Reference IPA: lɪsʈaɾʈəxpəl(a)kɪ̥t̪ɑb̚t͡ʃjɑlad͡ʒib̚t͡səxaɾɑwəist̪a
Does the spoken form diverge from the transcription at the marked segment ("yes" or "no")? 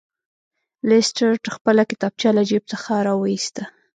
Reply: no